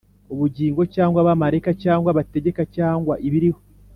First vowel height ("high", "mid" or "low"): high